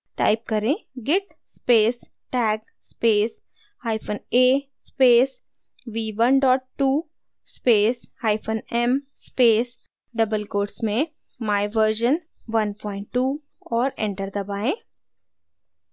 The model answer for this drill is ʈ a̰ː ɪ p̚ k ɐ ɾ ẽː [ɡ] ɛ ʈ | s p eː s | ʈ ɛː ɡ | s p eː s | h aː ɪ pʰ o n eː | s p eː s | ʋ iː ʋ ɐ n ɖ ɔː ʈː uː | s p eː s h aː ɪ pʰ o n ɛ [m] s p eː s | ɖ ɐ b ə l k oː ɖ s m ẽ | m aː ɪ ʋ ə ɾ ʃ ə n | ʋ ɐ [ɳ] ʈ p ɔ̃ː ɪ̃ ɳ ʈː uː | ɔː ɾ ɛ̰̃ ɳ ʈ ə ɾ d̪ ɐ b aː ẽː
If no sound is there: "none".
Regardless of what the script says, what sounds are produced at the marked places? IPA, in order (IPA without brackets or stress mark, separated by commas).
ɡ, m, n